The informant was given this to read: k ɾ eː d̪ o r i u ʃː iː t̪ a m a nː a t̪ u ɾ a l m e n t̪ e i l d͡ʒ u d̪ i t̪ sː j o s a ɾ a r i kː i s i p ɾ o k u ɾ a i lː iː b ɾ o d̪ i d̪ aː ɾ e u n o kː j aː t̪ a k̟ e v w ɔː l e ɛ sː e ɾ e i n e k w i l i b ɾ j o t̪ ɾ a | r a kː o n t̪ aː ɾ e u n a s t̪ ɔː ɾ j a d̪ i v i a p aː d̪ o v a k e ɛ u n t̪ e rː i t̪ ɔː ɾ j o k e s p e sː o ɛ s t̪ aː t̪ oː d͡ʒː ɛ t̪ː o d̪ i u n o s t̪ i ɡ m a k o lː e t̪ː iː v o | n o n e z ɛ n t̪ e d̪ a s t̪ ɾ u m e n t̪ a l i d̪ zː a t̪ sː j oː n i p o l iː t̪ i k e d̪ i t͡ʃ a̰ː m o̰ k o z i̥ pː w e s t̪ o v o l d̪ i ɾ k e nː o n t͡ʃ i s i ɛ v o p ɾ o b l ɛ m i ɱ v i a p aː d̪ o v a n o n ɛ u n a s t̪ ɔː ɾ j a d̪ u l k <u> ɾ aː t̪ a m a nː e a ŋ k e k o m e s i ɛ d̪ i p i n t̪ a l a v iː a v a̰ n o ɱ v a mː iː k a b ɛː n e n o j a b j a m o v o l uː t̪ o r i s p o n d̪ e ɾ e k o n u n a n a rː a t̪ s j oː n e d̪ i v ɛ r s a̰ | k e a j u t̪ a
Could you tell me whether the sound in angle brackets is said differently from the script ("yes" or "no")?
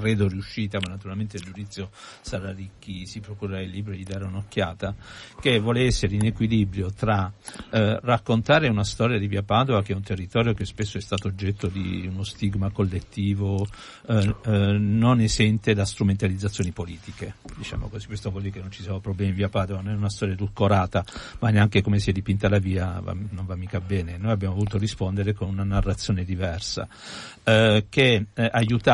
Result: yes